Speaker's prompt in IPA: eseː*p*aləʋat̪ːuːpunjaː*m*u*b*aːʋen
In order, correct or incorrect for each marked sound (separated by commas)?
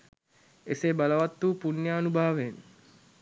incorrect, incorrect, correct